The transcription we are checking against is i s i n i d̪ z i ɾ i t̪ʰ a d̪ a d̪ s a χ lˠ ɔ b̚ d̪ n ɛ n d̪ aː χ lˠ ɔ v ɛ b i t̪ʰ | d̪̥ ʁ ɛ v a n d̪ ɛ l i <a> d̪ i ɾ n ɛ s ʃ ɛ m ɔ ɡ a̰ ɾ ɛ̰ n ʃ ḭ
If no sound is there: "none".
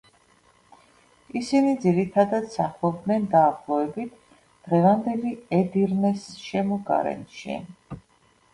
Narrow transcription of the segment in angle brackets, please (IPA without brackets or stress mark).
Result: ɛ